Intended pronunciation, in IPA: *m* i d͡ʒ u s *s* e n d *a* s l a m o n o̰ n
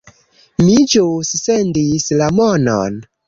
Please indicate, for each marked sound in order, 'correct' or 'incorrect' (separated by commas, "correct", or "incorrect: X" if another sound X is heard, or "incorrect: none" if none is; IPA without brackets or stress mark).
correct, correct, incorrect: i